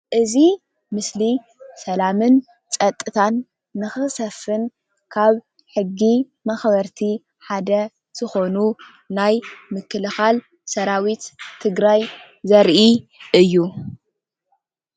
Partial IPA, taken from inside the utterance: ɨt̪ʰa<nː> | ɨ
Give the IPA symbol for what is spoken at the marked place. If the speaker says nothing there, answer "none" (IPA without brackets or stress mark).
nː